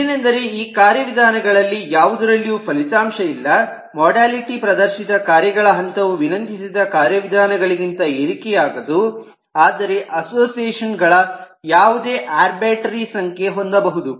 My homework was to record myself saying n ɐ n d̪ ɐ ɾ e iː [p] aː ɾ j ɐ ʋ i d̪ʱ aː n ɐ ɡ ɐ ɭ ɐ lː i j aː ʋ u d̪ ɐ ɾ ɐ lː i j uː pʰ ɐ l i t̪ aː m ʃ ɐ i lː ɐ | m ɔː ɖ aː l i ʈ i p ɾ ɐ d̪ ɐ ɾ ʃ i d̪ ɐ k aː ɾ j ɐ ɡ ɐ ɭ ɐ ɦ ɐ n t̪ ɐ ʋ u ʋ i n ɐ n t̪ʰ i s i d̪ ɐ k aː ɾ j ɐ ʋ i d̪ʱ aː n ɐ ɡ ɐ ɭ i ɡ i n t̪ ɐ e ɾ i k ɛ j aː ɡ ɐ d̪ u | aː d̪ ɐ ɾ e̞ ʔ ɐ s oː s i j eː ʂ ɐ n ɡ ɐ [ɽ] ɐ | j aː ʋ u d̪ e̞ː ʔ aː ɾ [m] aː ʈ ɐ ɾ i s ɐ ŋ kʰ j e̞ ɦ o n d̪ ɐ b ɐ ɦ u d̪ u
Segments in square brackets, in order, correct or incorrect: incorrect: k, incorrect: ɭ, incorrect: b

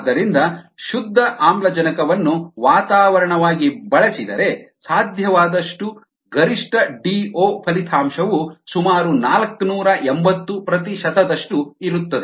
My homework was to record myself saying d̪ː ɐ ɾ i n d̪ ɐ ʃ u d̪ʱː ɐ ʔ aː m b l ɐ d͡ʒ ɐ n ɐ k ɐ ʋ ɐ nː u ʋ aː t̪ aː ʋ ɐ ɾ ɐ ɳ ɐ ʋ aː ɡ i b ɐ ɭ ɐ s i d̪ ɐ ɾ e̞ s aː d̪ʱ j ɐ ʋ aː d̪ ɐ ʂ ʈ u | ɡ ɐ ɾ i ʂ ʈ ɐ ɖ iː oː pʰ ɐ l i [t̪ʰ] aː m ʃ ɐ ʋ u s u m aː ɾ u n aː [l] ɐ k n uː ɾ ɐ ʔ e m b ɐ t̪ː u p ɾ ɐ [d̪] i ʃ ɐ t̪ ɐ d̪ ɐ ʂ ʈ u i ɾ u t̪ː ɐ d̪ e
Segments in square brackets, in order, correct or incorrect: correct, correct, incorrect: t̪

